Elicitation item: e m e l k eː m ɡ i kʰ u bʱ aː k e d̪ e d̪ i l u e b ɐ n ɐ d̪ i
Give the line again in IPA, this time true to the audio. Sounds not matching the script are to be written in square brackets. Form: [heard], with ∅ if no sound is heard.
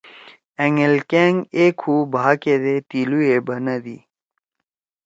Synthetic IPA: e [ŋ] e l k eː [ŋ] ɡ [e] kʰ u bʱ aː k e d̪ e [t̪] i l u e b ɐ n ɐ d̪ i